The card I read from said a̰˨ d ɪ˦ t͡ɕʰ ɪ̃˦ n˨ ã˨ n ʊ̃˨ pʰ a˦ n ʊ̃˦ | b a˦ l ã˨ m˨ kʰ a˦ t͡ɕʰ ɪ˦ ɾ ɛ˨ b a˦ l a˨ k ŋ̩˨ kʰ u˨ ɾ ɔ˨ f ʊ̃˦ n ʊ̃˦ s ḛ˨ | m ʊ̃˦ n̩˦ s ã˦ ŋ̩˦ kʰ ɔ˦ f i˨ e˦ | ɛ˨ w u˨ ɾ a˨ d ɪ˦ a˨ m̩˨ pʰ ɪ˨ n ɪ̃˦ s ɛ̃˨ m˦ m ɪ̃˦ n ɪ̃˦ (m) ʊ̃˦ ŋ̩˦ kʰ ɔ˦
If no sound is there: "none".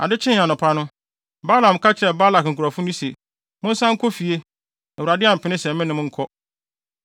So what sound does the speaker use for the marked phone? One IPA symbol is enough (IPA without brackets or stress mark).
m